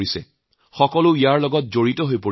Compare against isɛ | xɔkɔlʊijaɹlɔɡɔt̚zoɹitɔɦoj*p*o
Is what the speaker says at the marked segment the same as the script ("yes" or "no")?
yes